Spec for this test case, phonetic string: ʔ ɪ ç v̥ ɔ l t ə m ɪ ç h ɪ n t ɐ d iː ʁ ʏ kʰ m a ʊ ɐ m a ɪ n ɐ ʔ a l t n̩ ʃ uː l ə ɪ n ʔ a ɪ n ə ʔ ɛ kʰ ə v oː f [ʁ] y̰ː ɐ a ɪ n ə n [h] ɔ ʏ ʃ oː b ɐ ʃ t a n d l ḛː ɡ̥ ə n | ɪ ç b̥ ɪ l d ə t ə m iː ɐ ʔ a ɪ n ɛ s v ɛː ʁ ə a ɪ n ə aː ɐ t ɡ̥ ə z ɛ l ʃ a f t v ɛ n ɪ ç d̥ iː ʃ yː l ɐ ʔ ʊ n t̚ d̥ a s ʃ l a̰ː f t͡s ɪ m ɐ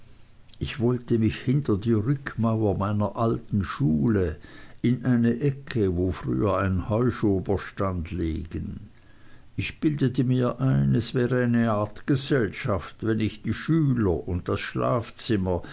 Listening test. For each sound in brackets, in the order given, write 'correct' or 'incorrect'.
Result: correct, correct

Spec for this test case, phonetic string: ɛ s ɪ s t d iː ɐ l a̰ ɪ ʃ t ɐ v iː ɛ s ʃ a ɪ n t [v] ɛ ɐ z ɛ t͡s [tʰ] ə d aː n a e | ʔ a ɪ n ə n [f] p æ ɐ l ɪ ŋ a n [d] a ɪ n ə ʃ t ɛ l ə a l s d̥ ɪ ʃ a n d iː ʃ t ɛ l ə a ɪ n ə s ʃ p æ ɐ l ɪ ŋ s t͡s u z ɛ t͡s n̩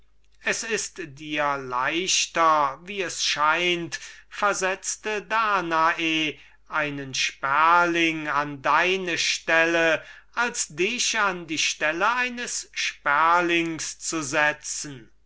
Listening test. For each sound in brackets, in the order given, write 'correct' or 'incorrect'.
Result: incorrect, incorrect, incorrect, correct

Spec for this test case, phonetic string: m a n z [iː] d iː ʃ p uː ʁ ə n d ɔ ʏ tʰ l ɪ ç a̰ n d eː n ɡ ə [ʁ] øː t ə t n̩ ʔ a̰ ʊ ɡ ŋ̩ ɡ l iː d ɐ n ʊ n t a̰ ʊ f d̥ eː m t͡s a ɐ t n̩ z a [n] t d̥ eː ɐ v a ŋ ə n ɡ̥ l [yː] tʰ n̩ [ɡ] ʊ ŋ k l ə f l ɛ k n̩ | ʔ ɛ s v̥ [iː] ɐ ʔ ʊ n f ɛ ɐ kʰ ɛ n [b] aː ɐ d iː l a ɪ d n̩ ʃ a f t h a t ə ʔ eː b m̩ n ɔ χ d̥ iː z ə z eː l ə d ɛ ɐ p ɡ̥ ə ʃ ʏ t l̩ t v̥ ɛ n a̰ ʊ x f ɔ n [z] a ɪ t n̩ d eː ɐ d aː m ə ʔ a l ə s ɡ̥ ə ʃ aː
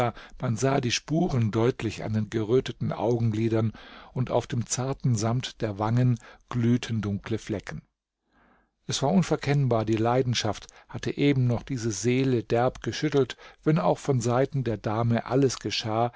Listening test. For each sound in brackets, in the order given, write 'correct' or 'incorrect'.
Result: incorrect, correct, incorrect, correct, incorrect, incorrect, correct, correct

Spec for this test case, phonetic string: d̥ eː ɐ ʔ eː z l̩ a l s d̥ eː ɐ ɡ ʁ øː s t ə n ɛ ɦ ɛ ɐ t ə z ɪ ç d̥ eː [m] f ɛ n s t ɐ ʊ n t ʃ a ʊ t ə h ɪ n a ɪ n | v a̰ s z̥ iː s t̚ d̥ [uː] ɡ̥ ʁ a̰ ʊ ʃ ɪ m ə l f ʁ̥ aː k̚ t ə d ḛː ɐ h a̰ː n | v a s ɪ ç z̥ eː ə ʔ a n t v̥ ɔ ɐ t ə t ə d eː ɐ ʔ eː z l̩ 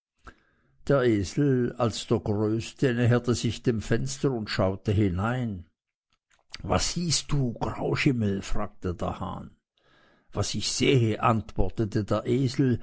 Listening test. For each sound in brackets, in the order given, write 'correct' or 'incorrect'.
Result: correct, correct

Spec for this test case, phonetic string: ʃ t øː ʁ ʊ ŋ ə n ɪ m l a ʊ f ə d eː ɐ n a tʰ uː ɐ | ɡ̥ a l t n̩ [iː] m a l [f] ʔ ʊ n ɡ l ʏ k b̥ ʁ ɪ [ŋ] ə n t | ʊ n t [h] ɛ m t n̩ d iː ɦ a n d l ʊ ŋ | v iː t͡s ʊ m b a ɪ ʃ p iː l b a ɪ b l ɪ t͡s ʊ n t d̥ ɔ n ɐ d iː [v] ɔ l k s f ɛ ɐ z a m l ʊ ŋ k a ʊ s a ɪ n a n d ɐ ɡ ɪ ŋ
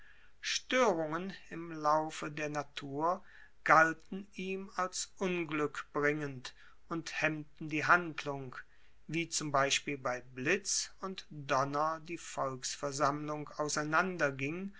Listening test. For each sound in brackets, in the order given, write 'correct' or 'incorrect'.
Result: correct, incorrect, correct, correct, incorrect

